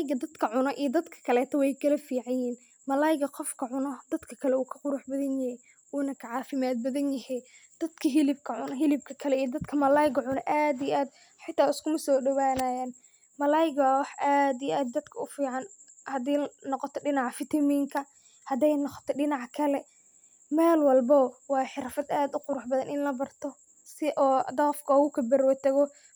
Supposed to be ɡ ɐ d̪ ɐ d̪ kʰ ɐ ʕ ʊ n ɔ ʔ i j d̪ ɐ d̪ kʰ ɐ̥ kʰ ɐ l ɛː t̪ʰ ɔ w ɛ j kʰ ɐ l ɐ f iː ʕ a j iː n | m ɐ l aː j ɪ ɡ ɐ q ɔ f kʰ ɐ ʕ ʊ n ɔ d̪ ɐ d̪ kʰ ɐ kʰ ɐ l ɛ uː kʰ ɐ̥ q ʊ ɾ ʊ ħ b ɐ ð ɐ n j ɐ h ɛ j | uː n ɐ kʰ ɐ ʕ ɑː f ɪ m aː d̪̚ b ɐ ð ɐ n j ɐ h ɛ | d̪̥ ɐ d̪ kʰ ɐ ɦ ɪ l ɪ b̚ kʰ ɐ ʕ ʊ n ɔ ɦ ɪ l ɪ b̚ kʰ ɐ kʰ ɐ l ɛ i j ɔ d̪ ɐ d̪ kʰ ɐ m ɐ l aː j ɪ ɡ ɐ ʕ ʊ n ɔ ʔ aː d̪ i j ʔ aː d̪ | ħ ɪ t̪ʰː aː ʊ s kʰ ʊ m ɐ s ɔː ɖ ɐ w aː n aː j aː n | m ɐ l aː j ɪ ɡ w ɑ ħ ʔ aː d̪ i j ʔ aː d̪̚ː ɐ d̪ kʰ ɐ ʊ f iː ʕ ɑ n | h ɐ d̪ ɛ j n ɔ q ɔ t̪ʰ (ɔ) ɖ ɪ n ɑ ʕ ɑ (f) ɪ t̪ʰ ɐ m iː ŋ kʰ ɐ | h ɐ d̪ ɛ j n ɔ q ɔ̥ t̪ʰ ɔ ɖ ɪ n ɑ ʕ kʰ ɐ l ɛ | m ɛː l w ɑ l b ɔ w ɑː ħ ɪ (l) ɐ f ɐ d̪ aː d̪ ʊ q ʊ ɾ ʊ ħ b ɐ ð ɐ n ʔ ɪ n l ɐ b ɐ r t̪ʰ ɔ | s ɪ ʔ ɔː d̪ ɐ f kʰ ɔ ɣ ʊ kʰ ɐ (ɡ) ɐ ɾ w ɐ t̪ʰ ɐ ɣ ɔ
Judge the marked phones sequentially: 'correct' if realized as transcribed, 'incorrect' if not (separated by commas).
correct, correct, incorrect, incorrect